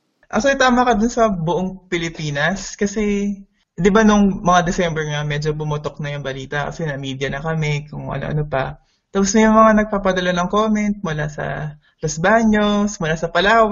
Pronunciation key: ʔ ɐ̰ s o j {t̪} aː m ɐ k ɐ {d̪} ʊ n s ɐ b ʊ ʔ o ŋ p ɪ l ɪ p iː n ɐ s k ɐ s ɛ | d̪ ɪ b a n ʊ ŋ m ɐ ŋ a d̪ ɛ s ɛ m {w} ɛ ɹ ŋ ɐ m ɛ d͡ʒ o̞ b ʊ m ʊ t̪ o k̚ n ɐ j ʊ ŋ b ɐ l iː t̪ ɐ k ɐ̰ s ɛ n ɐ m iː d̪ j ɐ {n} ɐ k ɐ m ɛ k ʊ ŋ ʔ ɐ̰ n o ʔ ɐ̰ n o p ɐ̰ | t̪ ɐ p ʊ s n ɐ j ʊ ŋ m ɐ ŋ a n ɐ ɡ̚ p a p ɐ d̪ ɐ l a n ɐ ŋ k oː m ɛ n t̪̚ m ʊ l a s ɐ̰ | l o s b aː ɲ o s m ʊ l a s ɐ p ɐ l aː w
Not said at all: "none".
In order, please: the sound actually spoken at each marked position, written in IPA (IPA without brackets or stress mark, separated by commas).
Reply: t̪, d̪, b, n